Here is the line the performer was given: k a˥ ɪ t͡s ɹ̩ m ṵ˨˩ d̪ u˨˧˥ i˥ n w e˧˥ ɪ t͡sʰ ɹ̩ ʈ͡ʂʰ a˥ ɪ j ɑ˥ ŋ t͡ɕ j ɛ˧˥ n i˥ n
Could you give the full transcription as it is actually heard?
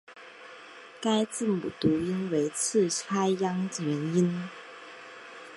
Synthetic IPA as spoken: k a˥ ɪ t͡s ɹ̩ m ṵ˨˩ t̪ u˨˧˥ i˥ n w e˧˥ ɪ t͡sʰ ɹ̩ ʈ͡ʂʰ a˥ ɪ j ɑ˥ ŋ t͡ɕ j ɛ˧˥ n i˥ n

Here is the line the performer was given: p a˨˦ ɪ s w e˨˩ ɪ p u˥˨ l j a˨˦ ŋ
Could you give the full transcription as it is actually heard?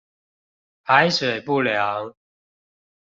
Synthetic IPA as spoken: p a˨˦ ɪ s w e˨˩ ɪ p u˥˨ l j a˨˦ ŋ

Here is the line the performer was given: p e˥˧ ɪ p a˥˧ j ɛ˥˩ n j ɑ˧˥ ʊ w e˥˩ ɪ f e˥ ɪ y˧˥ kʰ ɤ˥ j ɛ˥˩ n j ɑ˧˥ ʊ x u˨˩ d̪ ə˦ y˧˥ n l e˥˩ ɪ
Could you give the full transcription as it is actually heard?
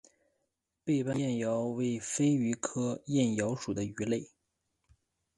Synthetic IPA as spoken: p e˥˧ ɪ p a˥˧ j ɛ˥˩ n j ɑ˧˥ ʊ w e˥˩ ɪ f e˥ ɪ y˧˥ kʰ ɤ˥ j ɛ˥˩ n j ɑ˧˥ ʊ ʂ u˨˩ d̪ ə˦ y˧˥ l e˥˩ ɪ

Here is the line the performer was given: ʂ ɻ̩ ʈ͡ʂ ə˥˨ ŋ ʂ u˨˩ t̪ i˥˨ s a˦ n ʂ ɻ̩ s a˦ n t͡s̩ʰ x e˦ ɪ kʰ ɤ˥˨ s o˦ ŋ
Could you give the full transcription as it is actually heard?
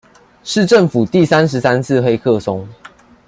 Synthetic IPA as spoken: ʂ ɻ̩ ʈ͡ʂ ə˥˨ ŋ f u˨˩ t̪ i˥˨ s a˦ n ʂ ɻ̩ s a˦ n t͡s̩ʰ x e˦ ɪ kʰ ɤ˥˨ s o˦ ŋ

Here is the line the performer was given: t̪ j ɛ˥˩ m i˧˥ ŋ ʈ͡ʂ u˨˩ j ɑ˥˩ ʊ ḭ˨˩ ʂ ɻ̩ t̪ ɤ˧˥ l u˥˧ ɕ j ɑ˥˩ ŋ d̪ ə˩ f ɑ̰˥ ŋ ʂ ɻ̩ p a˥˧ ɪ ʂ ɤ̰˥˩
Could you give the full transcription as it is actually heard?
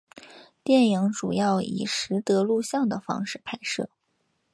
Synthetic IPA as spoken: t̪ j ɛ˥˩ n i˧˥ ŋ ʈ͡ʂ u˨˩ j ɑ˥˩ ʊ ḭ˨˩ ʂ ɻ̩ t̪ ɤ˧˥ l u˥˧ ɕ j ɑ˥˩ ŋ d̪ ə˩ f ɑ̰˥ ŋ ʂ ɻ̩ pʰ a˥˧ ɪ ʂ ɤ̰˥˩

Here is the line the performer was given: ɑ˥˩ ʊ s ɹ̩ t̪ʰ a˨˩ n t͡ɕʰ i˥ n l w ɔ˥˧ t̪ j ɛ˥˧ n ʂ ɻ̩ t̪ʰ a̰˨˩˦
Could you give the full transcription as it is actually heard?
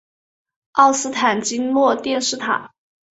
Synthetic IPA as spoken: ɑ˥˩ ʊ s ɹ̩ t̪ʰ a˨˩ n t͡ɕ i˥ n l w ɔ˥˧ t̪ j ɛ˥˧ n ʂ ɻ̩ t̪ʰ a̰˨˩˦

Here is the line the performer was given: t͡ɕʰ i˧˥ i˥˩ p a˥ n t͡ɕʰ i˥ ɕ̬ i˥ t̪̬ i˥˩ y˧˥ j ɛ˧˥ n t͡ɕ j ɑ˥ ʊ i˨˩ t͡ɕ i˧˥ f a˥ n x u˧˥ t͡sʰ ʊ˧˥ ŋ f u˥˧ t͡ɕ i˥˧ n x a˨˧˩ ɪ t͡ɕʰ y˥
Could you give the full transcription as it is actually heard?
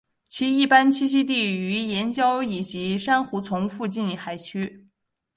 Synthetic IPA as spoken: t͡ɕʰ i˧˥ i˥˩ p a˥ n t͡ɕʰ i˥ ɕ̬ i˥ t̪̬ i˥˩ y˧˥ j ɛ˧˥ n t͡ɕ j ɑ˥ ʊ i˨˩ t͡ɕ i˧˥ ʂ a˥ n x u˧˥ t͡sʰ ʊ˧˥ ŋ f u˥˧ t͡ɕ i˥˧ n x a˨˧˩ ɪ t͡ɕʰ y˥

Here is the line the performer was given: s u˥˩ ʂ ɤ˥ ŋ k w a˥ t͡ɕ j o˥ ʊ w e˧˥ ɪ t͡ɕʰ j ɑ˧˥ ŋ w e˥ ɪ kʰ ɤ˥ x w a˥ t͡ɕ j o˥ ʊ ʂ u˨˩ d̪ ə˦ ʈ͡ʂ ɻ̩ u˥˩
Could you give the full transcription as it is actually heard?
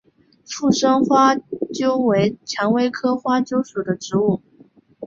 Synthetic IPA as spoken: f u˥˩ ʂ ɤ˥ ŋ x w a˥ t͡ɕ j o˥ ʊ w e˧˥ ɪ t͡ɕʰ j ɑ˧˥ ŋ w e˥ ɪ kʰ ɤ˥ x w a˥ t͡ɕ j o˥ ʊ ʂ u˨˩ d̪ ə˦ ʈ͡ʂ ɻ̩ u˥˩

